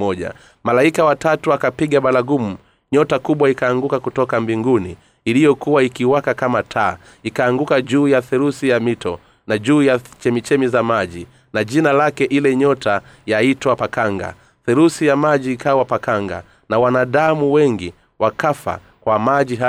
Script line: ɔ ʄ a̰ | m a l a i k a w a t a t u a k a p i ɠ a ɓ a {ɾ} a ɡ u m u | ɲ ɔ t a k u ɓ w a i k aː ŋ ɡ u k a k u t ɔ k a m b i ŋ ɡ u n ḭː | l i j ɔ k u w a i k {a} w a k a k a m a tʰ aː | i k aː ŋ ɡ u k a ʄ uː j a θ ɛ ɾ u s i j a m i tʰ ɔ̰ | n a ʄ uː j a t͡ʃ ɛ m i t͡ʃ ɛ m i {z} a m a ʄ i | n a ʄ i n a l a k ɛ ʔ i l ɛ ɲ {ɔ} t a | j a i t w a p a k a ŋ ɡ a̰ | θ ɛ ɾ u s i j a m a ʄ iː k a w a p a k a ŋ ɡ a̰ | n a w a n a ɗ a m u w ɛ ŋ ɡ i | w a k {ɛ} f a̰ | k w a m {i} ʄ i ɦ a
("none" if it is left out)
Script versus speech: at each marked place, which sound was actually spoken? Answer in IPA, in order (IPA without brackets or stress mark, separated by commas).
l, i, z, ɔ, a, a